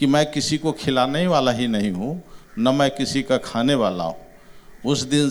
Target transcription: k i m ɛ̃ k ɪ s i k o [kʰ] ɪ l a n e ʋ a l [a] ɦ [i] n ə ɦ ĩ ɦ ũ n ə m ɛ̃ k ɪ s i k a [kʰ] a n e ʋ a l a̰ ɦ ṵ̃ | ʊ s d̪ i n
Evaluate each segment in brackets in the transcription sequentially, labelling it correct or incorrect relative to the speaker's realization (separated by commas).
correct, correct, correct, correct